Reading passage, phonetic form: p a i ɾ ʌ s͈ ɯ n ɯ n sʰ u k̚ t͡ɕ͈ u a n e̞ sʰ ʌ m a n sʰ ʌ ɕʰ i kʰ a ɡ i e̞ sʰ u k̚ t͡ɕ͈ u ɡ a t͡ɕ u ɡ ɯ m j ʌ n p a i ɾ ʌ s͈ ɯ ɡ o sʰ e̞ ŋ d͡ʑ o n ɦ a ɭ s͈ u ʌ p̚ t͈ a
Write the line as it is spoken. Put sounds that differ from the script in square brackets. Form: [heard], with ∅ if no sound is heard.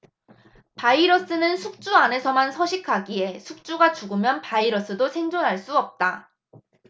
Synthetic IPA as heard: p a i ɾ ʌ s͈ ɯ n ɯ n sʰ u k̚ t͡ɕ͈ u a n e̞ sʰ ʌ m a n sʰ ʌ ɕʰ i kʰ a ɡ i e̞ sʰ u k̚ t͡ɕ͈ u ɡ a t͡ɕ u ɡ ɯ m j ʌ n p a i ɾ ʌ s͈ ɯ [d] o sʰ e̞ ŋ d͡ʑ o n ɦ a ɭ s͈ u ʌ p̚ t͈ a